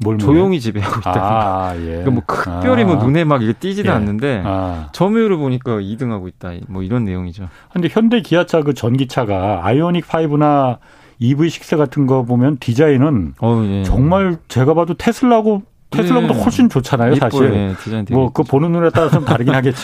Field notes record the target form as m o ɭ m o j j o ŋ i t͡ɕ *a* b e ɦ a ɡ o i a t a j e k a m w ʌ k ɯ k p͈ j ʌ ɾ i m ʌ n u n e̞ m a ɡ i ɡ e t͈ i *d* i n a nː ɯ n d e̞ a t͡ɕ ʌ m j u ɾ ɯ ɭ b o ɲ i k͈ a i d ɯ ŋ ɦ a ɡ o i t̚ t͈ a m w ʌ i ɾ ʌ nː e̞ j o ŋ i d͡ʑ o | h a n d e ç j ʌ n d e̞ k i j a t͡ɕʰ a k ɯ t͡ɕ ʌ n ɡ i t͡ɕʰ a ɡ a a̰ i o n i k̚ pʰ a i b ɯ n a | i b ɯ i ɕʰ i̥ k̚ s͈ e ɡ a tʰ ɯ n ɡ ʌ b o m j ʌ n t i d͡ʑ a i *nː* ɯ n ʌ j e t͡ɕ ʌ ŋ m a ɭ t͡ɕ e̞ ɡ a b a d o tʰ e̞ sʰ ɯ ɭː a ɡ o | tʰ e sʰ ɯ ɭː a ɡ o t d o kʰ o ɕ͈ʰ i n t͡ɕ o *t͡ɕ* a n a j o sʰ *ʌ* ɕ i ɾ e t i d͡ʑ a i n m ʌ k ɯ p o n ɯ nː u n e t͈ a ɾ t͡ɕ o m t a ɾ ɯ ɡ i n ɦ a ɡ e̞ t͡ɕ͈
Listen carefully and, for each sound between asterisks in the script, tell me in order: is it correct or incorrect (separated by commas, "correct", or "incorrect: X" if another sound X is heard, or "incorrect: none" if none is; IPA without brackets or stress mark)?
incorrect: i, incorrect: d͡ʑ, incorrect: n, incorrect: t͡ɕʰ, incorrect: a